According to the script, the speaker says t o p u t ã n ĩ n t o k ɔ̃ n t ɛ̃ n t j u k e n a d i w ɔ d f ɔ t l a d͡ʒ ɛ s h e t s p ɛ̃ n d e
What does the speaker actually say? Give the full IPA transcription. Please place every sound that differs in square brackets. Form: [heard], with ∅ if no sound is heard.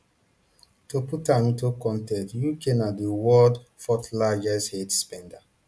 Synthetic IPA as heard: t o p u t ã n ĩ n t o k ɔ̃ n t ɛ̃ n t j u k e n a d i w ɔ d f ɔ t l a d͡ʒ ɛ s h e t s p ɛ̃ n d [a]

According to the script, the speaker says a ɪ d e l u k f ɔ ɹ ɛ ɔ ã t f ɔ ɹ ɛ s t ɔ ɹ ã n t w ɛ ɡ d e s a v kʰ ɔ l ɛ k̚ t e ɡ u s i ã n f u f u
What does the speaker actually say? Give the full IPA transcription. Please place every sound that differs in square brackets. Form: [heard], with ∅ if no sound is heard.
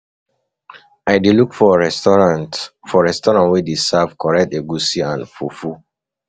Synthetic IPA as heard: a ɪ d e l u k f ɔ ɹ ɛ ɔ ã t f ɔ ɹ ɛ s t ɔ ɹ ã n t w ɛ [∅] d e s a v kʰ ɔ [ɹ] ɛ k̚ t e ɡ u s i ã n f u f u

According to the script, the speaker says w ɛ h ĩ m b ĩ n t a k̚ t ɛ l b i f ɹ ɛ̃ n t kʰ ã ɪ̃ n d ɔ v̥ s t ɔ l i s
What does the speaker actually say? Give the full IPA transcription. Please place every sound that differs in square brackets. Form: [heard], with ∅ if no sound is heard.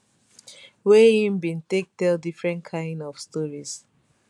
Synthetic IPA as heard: w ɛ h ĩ m b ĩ n t [e] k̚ t ɛ l [d] i f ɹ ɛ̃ n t kʰ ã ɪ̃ n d ɔ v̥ s t ɔ [ɹ] i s

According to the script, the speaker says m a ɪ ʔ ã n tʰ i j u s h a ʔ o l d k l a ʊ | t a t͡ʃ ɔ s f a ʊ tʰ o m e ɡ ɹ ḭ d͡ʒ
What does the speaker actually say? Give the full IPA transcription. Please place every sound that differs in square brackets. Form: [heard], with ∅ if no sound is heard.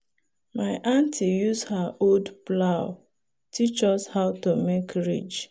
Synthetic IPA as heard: m a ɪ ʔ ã n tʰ i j u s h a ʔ o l d [p] l a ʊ | t [i] t͡ʃ ɔ s [h] a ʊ [t] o m e [k] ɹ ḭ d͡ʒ

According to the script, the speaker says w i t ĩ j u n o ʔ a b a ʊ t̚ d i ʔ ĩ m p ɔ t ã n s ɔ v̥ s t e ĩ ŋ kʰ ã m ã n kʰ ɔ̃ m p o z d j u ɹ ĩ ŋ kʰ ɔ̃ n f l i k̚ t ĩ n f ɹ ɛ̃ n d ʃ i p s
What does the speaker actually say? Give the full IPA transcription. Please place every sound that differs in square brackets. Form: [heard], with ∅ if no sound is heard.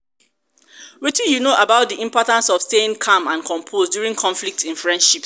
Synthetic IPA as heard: w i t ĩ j u n o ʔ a b a ʊ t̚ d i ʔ ĩ m p ɔ t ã n s ɔ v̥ s t e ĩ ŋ kʰ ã m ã n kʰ ɔ̃ m [pʰ] o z d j u ɹ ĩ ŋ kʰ ɔ̃ n f l i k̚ t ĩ n f ɹ ɛ̃ n d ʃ i p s

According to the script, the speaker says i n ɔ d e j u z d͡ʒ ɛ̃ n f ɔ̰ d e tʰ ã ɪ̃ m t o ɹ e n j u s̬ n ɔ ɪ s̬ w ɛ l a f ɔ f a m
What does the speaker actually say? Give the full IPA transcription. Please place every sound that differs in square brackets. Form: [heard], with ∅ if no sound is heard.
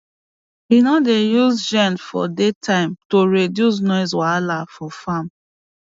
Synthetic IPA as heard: i n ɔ d e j u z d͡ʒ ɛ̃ n f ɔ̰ d e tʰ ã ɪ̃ m t o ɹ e [d] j u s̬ n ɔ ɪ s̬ w [a] l a f ɔ f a m

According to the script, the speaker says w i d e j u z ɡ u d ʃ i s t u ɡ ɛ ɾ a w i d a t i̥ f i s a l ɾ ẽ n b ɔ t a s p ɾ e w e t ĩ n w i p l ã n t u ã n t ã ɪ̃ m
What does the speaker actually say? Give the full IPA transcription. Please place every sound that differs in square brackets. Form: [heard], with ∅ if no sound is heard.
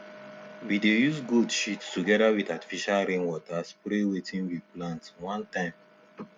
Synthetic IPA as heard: w i d e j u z ɡ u d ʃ i [t] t u ɡ ɛ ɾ a w i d a t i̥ f i [ʃ] a l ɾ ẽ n [w] ɔ t a s p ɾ e w e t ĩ n w i p l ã n t [w] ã n t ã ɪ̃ m

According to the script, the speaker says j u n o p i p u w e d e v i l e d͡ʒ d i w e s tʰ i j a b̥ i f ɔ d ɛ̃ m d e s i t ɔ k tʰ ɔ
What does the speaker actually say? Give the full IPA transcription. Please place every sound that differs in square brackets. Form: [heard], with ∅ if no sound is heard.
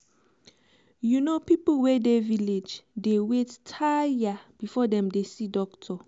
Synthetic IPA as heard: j u n o p i p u w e d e v i l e d͡ʒ d [e] w e [t] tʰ [a] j a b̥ i f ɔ d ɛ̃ m d e s i [d] ɔ k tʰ ɔ

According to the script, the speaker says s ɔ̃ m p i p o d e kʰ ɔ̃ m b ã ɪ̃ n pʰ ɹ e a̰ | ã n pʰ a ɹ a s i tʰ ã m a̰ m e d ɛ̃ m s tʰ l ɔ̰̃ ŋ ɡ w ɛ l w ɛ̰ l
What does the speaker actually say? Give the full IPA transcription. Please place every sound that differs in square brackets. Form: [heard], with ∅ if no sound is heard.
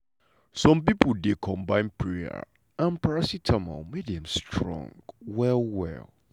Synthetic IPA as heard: s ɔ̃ m p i p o d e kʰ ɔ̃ m b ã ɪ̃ n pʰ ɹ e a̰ | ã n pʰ a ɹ a s i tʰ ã m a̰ m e d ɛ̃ m s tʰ [ɹ] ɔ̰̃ ŋ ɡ w ɛ l w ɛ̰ l

